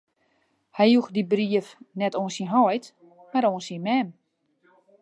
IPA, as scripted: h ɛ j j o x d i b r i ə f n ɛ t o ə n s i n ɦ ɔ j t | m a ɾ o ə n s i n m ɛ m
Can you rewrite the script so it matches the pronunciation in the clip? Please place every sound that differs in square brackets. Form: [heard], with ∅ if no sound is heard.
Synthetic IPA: h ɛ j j [u] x d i b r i ə f n ɛ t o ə n s i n ɦ ɔ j t | m a ɾ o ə n s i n m ɛ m